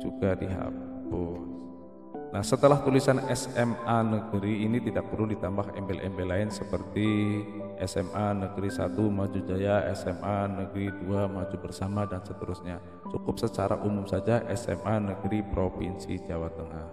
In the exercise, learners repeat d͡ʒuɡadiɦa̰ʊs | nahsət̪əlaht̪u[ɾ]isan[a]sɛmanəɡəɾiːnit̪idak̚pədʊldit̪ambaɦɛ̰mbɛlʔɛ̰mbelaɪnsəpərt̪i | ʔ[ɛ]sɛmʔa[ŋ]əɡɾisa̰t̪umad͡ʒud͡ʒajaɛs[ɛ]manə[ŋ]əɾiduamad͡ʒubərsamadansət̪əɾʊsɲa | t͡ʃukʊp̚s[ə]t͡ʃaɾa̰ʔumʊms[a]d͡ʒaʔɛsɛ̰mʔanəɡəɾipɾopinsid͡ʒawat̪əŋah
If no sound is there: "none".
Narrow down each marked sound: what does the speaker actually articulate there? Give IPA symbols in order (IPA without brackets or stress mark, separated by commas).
l, ɛ, ɛ, n, ɛ, ɡ, ə, a